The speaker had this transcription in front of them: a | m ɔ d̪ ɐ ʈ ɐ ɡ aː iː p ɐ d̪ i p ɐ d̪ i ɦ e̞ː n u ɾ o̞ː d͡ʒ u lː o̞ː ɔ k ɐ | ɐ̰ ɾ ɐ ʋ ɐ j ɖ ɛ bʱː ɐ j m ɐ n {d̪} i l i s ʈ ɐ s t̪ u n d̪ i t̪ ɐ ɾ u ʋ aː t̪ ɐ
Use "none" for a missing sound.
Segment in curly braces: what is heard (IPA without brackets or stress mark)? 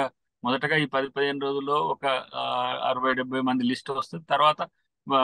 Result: d̪